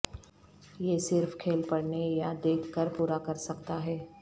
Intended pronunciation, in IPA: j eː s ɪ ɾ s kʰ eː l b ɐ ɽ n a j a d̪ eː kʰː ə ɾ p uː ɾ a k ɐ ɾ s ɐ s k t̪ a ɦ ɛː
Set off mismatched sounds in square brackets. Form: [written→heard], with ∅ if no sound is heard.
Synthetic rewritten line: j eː s ɪ ɾ [s→f] kʰ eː l [b→p] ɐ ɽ n [a→e] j a d̪ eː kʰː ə ɾ p uː ɾ a k ɐ ɾ s ɐ [s→∅] k t̪ a ɦ ɛː